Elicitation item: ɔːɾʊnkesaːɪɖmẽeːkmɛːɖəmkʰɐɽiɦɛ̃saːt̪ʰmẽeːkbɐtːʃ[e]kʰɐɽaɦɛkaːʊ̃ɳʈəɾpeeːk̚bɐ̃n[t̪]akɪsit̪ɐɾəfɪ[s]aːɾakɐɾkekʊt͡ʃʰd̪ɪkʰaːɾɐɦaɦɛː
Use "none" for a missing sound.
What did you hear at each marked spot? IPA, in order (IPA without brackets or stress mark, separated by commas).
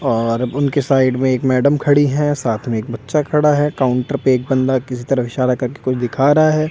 a, d̪, ʃ